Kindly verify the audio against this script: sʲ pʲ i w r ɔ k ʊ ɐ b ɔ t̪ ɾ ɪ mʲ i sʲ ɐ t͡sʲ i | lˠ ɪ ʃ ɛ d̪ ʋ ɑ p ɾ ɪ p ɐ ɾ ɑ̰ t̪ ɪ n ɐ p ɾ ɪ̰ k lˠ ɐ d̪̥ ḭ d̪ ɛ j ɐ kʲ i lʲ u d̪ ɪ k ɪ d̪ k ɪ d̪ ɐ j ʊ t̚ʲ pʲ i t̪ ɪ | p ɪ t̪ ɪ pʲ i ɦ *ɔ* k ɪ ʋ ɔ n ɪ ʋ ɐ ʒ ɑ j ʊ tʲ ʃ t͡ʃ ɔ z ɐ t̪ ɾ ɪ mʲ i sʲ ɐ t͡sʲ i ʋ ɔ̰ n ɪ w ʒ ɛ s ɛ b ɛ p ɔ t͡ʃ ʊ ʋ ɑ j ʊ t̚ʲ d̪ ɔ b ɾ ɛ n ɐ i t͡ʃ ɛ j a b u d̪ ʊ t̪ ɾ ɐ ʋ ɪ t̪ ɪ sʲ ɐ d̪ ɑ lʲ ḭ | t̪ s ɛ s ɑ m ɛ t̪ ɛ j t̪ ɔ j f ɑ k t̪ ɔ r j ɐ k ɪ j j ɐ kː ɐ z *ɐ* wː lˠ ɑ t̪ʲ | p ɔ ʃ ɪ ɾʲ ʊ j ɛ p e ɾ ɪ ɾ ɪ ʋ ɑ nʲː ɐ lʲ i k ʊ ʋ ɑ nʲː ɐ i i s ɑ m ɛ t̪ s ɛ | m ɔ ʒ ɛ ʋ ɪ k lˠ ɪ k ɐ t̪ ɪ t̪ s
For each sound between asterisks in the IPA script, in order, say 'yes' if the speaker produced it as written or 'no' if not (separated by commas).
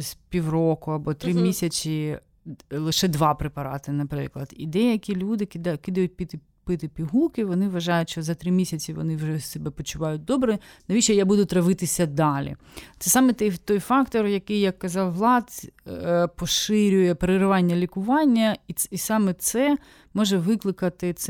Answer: no, no